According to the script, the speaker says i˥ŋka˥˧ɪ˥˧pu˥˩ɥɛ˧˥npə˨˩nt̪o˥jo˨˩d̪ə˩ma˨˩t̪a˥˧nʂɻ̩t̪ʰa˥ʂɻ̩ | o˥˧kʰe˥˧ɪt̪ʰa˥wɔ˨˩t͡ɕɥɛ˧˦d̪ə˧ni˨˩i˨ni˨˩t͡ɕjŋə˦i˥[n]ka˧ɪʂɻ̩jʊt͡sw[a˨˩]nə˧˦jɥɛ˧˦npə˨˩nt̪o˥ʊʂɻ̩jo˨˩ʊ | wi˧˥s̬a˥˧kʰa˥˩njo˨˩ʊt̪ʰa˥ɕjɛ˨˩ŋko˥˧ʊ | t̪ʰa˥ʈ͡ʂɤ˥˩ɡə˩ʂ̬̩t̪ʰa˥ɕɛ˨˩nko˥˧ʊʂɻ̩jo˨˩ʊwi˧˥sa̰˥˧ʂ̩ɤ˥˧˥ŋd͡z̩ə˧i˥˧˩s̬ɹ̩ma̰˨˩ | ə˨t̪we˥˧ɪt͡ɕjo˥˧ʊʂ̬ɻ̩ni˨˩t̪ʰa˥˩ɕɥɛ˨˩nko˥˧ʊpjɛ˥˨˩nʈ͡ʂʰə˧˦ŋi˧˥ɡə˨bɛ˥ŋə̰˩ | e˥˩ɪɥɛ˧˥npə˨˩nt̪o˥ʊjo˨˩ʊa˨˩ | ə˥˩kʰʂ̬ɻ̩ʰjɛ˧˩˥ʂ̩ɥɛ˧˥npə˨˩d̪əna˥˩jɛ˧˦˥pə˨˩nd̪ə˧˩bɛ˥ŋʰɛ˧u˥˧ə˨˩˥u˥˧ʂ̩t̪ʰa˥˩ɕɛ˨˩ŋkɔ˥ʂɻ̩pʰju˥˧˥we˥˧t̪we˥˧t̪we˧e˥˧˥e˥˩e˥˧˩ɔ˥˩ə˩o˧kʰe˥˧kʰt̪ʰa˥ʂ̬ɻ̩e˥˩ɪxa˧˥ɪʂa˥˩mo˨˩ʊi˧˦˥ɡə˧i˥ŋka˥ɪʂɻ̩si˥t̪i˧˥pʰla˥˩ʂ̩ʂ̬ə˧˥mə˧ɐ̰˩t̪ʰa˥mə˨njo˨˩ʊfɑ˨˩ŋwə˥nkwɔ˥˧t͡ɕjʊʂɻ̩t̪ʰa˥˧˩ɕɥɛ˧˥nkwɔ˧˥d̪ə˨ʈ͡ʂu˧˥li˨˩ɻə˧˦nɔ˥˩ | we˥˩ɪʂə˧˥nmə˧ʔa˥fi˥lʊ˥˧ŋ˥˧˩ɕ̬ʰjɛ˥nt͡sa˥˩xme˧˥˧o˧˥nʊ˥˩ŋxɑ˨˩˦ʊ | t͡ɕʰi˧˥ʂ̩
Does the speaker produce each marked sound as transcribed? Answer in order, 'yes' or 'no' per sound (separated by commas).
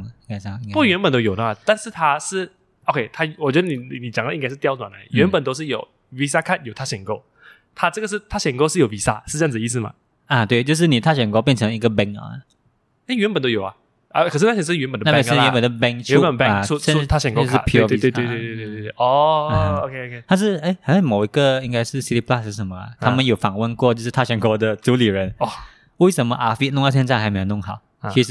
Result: no, yes